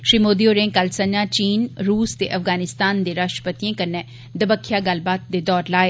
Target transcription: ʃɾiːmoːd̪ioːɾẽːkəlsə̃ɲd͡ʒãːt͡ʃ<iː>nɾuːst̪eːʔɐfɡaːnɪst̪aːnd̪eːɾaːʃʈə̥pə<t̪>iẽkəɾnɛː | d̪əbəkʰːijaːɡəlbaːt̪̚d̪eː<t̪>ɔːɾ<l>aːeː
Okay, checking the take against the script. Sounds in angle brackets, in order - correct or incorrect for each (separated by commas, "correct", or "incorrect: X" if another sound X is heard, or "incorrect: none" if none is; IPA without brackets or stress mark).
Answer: correct, correct, incorrect: d̪, correct